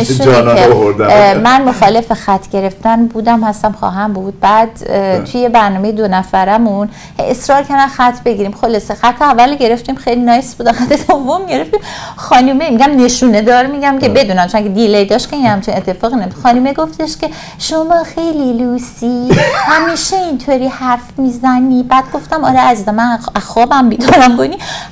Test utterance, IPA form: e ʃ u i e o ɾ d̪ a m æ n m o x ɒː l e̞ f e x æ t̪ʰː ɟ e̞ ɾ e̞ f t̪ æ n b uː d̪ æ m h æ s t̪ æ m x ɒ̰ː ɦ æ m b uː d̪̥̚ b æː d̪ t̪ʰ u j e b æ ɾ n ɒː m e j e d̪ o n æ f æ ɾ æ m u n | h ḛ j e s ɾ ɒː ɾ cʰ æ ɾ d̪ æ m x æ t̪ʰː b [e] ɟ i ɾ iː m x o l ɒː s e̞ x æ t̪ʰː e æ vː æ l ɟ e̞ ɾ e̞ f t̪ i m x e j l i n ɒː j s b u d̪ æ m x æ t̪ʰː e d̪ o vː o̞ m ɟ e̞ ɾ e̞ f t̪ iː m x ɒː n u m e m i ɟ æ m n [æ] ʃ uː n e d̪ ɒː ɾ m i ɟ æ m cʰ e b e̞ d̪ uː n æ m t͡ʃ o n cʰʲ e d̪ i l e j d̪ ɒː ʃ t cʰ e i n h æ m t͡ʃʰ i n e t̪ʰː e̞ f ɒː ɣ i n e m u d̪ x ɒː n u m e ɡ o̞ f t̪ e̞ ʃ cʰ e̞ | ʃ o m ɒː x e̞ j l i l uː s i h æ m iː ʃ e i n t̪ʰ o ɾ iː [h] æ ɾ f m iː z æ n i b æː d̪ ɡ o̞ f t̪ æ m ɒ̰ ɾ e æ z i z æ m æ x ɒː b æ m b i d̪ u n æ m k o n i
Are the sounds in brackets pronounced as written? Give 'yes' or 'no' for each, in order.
yes, no, yes

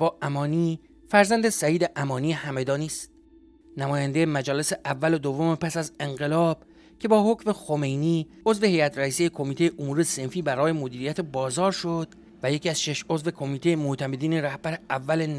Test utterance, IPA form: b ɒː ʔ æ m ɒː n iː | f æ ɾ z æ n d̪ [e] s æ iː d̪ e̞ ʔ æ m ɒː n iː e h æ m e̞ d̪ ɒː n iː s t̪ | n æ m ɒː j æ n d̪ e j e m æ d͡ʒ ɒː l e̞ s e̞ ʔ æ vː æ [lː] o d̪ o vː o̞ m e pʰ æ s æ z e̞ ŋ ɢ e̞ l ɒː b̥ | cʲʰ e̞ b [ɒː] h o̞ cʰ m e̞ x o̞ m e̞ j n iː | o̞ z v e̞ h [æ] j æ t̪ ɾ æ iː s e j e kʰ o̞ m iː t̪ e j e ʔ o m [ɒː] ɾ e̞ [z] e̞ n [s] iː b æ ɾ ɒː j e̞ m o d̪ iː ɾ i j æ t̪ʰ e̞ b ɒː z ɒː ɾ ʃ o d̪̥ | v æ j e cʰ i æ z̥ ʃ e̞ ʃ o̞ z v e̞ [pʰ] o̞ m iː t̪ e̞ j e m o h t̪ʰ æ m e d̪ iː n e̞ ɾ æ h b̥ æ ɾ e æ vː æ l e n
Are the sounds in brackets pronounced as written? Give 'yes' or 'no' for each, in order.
yes, no, yes, no, no, no, no, no

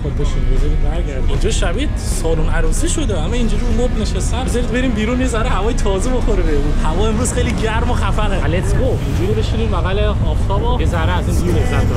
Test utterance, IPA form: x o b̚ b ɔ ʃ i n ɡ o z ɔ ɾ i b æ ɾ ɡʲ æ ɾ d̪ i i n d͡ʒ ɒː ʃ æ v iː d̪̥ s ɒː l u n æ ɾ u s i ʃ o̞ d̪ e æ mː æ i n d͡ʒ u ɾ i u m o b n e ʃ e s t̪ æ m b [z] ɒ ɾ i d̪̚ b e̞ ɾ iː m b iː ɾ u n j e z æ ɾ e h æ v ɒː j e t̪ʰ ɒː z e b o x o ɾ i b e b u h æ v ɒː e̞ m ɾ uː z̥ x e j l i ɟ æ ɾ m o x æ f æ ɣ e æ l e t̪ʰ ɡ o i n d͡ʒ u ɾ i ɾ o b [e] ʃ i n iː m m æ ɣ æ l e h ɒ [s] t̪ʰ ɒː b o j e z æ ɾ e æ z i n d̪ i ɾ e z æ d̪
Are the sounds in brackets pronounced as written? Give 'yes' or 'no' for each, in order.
yes, yes, no

